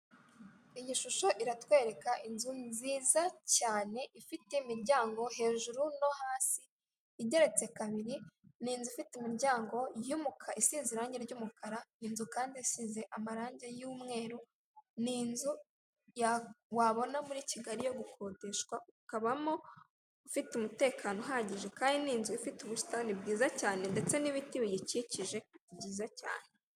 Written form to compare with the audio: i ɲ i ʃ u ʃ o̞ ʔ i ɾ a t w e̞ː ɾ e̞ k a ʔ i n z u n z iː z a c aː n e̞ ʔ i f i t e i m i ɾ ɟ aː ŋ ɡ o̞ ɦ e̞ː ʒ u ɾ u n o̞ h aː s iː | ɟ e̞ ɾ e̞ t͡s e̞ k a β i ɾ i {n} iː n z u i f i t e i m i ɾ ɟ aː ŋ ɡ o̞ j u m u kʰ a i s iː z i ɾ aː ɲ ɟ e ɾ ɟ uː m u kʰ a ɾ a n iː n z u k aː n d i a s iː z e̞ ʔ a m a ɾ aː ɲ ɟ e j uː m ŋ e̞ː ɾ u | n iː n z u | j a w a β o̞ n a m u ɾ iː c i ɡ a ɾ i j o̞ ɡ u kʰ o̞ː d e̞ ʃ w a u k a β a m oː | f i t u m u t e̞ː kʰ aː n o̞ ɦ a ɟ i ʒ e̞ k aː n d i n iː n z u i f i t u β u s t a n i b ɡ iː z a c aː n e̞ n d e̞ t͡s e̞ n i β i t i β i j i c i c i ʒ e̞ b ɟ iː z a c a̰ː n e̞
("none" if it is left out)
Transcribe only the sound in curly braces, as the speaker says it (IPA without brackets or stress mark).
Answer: n